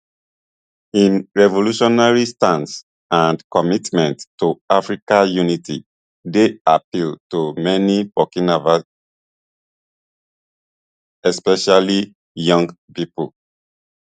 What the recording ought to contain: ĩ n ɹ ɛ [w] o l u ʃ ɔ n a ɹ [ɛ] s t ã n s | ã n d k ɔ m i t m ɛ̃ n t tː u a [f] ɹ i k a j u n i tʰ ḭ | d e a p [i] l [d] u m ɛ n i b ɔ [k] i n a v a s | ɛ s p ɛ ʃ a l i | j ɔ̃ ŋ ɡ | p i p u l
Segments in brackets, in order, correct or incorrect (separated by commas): incorrect, incorrect, correct, correct, incorrect, correct